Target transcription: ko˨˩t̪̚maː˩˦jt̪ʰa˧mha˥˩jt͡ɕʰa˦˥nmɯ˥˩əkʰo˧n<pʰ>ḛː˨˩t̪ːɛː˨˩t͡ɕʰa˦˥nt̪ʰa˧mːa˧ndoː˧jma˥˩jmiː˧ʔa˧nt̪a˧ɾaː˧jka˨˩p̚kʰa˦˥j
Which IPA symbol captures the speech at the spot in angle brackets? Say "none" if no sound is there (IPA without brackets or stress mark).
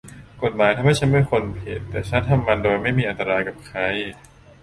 pʰ